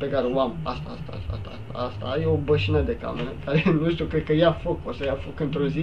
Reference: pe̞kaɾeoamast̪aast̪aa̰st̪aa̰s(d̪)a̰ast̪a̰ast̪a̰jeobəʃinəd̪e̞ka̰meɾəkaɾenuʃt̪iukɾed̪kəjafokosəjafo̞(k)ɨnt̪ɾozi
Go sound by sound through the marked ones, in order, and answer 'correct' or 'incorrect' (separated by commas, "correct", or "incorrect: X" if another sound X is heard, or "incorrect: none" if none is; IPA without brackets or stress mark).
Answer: incorrect: t̪, correct